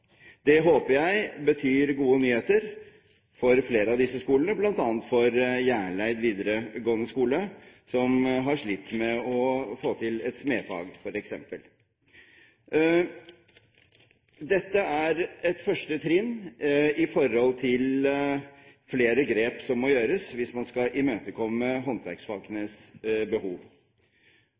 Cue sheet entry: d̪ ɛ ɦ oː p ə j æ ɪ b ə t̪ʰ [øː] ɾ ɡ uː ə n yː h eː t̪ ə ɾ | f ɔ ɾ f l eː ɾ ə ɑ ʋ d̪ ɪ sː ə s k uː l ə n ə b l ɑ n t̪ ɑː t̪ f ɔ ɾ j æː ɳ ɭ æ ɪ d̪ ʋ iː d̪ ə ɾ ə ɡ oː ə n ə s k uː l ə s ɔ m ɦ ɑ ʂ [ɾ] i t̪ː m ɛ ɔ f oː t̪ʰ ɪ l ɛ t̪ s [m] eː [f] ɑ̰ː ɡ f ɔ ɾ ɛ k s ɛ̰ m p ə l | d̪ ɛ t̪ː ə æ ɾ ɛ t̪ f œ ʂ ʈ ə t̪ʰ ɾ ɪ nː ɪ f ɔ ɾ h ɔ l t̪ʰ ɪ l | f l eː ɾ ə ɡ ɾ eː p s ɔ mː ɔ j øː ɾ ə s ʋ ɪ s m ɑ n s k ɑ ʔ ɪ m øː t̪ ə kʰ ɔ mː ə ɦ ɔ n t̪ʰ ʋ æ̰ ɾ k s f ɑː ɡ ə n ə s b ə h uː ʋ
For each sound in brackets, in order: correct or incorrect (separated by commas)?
incorrect, incorrect, correct, correct